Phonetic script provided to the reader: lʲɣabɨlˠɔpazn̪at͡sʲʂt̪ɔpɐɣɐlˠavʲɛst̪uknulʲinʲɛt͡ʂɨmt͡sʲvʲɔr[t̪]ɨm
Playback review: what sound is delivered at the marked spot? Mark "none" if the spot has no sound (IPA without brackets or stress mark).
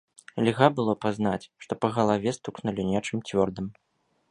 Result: d̪